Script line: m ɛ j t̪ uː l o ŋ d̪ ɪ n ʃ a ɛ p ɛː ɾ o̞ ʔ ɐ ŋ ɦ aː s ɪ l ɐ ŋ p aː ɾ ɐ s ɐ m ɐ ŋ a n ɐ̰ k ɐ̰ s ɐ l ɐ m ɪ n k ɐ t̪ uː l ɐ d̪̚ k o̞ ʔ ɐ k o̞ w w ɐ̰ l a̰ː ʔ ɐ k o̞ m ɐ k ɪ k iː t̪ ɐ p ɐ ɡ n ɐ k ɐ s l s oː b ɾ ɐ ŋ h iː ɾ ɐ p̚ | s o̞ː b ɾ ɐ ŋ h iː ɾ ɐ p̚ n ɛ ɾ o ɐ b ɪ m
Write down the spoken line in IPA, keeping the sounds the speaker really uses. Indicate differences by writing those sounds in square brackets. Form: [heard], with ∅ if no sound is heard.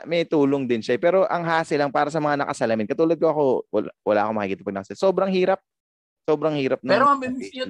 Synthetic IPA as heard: m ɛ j t̪ uː l o ŋ d̪ ɪ n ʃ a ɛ p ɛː ɾ o̞ ʔ ɐ ŋ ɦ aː s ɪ l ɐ ŋ p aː ɾ ɐ s ɐ m ɐ ŋ a n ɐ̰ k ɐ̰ s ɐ l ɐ m ɪ n k ɐ t̪ uː l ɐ d̪̚ k o̞ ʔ ɐ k o̞ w w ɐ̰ l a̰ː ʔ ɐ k o̞ m ɐ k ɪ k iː t̪ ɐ p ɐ ɡ n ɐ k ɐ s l s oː b ɾ ɐ ŋ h iː ɾ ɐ p̚ | s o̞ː b ɾ ɐ ŋ h iː ɾ ɐ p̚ n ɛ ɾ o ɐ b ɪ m